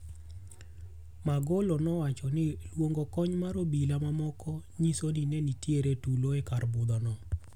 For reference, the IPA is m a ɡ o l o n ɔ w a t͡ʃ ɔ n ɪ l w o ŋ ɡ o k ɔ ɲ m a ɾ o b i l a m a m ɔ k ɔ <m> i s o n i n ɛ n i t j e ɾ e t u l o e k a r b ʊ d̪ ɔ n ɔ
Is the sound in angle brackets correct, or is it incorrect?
incorrect